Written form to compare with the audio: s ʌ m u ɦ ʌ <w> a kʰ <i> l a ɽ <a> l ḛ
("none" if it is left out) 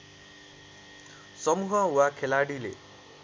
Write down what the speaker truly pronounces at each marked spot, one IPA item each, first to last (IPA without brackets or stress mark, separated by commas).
w, e, i